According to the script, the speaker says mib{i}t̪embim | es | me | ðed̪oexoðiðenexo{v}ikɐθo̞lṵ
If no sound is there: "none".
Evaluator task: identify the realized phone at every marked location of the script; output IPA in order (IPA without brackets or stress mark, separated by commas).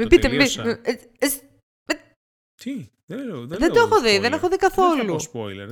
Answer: i, ð